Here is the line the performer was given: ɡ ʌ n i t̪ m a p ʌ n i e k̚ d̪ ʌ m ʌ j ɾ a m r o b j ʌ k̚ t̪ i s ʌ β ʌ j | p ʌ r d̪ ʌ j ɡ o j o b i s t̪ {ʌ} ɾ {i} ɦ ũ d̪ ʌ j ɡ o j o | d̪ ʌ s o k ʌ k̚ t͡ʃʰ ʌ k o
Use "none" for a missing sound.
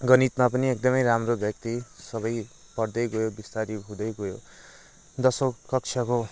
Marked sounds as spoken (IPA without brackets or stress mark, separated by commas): a, i